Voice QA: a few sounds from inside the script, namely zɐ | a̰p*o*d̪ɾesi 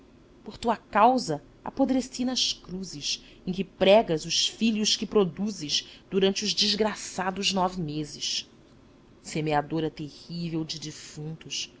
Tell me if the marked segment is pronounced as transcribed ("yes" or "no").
yes